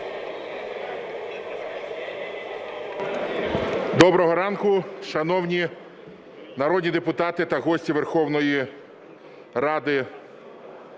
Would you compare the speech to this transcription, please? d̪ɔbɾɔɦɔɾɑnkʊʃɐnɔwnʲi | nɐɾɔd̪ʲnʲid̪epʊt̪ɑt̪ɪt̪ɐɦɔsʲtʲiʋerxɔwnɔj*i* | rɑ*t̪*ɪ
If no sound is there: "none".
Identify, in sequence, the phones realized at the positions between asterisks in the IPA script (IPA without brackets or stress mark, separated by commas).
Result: i, d̪